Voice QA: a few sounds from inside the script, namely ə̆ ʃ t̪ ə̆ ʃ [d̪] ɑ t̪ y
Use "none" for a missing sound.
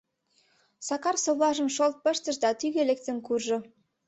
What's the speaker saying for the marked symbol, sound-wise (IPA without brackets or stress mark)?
d̪